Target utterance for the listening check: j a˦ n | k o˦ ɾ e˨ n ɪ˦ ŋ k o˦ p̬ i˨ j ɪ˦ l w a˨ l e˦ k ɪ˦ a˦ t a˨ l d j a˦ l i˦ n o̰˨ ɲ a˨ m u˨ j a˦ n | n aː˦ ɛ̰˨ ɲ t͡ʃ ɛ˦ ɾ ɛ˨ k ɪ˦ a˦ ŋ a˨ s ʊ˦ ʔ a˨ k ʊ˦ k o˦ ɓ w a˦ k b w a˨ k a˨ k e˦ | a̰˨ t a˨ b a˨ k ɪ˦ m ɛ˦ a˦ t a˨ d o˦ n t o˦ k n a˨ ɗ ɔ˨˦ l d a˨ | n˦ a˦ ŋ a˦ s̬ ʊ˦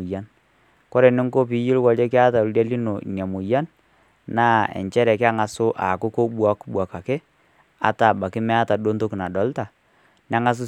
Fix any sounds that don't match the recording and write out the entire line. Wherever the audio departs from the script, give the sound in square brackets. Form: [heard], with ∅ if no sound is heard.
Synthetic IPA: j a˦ n | k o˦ ɾ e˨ n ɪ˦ ŋ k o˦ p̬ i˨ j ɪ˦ l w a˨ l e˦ k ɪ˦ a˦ t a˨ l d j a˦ l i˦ n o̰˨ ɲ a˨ m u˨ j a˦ n | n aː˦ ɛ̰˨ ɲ t͡ʃ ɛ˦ ɾ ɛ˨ k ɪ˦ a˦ ŋ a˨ s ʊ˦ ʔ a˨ k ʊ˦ k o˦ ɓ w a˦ k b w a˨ k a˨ k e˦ | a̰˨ t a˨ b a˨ k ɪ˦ m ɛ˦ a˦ t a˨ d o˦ n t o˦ k n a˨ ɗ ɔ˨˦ l [t] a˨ | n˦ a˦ ŋ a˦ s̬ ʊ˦

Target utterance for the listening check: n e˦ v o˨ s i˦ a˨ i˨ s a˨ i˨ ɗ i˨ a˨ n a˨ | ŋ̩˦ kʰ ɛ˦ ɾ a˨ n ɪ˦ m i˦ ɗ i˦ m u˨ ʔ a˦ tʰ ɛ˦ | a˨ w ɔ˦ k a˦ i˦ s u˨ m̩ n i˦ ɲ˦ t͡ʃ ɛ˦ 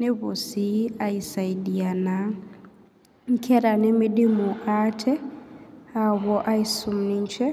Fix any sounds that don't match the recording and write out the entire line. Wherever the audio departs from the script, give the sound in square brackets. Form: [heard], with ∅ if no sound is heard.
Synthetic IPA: n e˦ [β] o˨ s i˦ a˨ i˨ s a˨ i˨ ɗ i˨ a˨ n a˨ | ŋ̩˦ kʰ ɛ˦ ɾ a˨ n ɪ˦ m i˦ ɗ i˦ m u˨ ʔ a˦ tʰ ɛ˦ | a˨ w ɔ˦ [ʔ] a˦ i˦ s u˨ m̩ n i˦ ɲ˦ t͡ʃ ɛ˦

